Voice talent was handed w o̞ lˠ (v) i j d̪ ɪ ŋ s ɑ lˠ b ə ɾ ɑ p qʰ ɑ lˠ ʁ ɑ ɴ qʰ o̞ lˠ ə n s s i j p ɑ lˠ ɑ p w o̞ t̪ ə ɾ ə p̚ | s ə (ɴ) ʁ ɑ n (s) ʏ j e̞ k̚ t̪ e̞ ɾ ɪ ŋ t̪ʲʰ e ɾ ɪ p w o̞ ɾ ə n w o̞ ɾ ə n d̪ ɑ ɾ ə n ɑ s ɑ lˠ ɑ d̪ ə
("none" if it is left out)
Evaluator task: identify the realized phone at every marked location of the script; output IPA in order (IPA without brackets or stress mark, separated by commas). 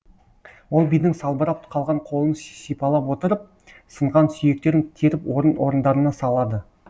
b, ɴ, s